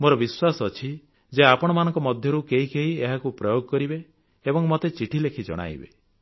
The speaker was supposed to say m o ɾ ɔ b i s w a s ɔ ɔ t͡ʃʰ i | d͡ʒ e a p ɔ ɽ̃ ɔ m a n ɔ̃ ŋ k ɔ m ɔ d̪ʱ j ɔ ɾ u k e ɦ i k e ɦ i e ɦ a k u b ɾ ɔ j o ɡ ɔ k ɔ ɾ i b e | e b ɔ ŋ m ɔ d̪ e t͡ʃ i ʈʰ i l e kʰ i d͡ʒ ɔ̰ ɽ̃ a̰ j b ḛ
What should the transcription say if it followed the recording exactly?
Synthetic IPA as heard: m o ɾ ɔ b i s w a s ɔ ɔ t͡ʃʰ i | d͡ʒ e a p ɔ ɽ̃ ɔ m a n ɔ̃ ŋ k ɔ m ɔ d̪ʱ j ɔ ɾ u k e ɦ i k e ɦ i e ɦ a k u p ɾ ɔ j o ɡ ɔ k ɔ ɾ i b e | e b ɔ ŋ m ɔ t̪ e t͡ʃ i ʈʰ i l e kʰ i d͡ʒ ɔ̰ ɽ̃ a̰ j b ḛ

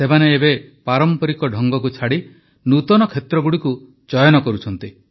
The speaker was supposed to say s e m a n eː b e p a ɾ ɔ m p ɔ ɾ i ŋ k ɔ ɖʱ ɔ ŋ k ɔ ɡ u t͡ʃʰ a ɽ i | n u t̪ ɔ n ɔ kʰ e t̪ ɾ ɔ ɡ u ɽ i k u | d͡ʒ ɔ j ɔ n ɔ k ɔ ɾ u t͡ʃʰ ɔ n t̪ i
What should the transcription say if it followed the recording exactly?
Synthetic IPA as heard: s e m a n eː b e p a ɾ ɔ m p ɔ ɾ i k ɔ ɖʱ ɔ ŋ ɡ ɔ k u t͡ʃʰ a ɽ i | n u t̪ ɔ n ɔ kʰ e t̪ ɾ ɔ ɡ u ɽ i k u | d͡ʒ ɔ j ɔ n ɔ k ɔ ɾ u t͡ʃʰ ɔ n t̪ i

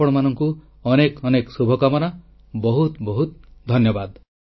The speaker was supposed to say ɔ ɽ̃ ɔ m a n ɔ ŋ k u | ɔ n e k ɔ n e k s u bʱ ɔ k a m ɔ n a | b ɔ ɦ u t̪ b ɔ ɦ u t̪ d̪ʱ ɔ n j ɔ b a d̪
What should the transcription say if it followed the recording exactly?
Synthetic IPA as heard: ɔ ɽ̃ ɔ m a n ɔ ŋ k u | ɔ n e k ɔ n e k s u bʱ ɔ k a m ɔ n a | b ɔ ɦ u t̪ b ɔ ɦ u t̪ d̪ʱ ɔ n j ɔ b a d̪

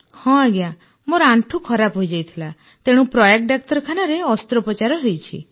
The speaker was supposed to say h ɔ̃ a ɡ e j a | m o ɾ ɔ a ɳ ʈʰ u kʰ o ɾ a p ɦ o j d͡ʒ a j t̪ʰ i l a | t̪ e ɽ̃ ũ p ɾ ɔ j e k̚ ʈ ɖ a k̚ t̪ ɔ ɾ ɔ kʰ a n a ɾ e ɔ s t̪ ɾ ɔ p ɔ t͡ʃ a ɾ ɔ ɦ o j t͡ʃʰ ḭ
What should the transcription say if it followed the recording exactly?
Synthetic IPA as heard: h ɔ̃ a ɡ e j a | m o ɾ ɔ a ɳ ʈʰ u kʰ ɔ ɾ a p ɦ o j d͡ʒ a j t̪ʰ i l a | t̪ e ɽ̃ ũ p ɾ ɔ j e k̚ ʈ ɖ a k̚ t̪ ɔ ɾ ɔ kʰ a n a ɾ e ɔ s t̪ ɾ ɔ p ɔ t͡ʃ a ɾ ɔ ɦ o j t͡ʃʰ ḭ

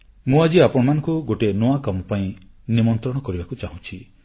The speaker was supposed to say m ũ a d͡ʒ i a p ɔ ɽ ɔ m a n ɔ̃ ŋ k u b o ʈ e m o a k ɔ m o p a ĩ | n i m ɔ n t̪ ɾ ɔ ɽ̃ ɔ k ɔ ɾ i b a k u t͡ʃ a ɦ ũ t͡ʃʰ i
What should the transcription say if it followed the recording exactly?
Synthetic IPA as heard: m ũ a d͡ʒ i a p ɔ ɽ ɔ m a n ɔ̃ ŋ k u ɡ o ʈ e n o a k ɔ m ɔ p a ĩ | n i m ɔ n t̪ ɾ ɔ ɽ̃ ɔ k ɔ ɾ i b a k u t͡ʃ a ɦ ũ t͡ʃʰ i

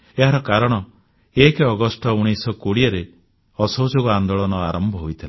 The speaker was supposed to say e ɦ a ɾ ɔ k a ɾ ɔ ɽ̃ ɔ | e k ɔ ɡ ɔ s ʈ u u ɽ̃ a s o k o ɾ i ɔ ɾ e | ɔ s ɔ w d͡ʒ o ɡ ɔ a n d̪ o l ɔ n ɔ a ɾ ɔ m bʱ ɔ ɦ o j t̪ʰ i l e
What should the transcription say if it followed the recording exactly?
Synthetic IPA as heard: e ɦ a ɾ ɔ k a ɾ ɔ ɽ̃ ɔ | e k ɔ ɡ ɔ s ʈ ɔ u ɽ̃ i s ɔ k o ɽ i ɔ ɾ e | ɔ s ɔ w d͡ʒ o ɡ ɔ a n d̪ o ɭ ɔ n ɔ a ɾ ɔ m bʱ ɔ ɦ o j t̪ʰ i l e

